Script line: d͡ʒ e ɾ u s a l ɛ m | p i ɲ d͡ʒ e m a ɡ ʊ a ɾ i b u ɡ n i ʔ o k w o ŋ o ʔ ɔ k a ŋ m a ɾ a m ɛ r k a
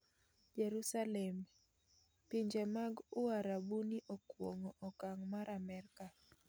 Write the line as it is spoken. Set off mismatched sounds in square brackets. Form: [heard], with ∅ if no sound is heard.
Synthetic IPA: d͡ʒ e ɾ u s a l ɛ m | p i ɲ d͡ʒ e m a ɡ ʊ a ɾ [a] b u [∅] n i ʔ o k w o ŋ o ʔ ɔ k a ŋ m a ɾ a m ɛ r k a